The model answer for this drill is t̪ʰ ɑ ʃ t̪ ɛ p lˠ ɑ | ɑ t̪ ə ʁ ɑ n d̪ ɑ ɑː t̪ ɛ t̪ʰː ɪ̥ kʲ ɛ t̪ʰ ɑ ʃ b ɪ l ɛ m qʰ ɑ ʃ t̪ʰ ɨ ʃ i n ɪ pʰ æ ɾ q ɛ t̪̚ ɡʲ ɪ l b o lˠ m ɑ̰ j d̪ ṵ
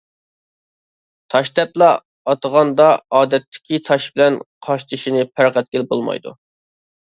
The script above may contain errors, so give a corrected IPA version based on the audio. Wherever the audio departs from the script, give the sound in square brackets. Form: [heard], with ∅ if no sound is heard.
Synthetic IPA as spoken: t̪ʰ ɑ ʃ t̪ ɛ p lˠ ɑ | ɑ t̪ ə ʁ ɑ n d̪ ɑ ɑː [d̪] ɛ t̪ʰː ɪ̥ kʲ [i] t̪ʰ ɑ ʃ b ɪ l ɛ [n] qʰ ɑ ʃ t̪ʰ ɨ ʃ i n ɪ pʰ æ ɾ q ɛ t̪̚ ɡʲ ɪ l b o lˠ m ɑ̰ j d̪ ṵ